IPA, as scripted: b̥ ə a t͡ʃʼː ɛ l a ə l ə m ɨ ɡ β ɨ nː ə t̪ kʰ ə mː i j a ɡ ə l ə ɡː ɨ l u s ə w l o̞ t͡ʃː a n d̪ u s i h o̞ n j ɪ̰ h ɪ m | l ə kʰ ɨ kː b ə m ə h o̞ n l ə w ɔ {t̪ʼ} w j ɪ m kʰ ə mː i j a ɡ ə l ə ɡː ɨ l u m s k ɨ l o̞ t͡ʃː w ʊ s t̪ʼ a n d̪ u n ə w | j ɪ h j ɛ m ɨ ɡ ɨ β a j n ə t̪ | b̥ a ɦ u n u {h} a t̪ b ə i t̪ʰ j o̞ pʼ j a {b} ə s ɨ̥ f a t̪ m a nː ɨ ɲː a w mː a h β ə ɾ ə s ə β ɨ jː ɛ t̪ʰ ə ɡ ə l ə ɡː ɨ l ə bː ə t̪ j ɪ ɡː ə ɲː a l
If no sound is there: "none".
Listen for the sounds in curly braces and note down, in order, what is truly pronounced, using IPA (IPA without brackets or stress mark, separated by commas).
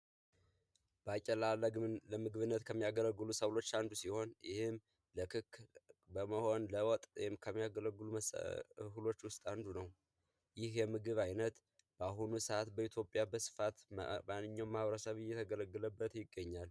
t̪ʼ, s, b